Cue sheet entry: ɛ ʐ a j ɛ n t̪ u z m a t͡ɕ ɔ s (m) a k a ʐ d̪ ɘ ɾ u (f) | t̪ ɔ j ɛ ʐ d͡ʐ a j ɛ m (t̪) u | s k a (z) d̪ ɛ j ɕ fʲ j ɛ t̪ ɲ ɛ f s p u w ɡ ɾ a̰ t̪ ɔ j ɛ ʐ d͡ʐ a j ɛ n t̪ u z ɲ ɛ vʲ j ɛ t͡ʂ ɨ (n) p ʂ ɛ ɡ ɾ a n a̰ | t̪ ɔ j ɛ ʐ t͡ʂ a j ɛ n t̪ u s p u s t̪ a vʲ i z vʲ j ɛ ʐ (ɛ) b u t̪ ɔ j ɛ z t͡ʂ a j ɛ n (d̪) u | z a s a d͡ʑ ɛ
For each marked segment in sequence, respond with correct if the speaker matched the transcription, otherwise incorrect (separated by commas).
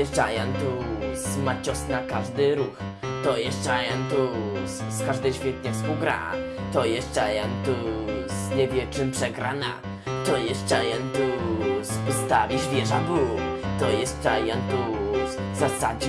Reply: incorrect, incorrect, correct, incorrect, incorrect, incorrect, incorrect